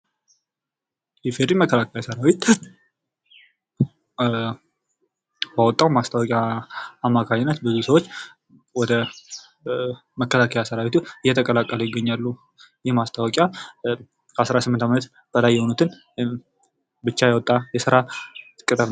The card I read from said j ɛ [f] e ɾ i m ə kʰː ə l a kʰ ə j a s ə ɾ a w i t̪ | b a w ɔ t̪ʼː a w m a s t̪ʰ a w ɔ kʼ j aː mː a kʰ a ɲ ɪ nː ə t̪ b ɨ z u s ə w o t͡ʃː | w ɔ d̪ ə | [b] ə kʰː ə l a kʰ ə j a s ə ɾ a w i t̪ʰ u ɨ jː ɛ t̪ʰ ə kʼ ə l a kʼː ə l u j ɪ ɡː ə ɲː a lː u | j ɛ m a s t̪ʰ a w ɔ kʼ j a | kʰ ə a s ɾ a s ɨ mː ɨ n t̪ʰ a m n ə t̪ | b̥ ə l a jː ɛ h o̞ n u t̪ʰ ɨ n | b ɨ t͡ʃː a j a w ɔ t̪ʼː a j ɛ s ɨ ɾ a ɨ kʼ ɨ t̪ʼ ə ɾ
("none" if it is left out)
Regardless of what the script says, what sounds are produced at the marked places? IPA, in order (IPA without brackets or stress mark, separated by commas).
f, m